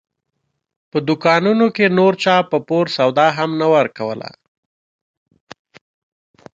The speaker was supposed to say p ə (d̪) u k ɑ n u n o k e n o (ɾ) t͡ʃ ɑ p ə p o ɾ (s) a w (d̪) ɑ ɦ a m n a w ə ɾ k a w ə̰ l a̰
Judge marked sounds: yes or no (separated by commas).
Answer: yes, yes, yes, yes